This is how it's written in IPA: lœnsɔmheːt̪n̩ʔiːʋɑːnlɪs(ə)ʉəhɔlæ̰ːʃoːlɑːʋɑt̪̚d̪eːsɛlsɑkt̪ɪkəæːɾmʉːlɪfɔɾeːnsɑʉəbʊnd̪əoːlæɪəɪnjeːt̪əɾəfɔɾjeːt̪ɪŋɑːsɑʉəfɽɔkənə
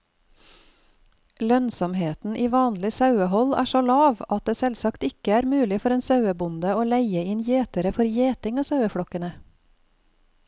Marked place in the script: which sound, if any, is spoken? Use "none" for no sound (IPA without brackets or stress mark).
ɑ